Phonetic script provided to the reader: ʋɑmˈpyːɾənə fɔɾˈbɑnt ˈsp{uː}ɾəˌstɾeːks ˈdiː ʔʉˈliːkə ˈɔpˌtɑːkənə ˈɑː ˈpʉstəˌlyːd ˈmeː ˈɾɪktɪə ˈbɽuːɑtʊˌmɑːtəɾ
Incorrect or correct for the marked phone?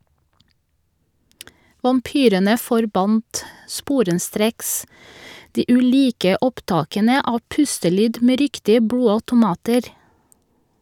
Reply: correct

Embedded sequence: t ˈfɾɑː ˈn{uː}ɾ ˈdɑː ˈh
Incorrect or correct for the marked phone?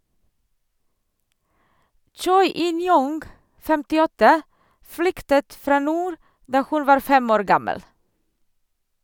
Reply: correct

